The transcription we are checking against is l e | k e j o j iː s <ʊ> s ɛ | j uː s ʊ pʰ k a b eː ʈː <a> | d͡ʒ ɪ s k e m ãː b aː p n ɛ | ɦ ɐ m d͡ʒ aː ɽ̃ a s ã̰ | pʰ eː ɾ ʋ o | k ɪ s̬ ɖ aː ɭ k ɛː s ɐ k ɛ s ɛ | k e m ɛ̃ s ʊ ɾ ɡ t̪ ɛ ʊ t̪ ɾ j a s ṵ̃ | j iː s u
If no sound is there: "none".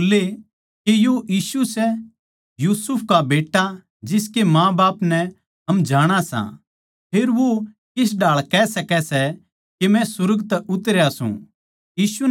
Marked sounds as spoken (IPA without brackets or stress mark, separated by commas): u, a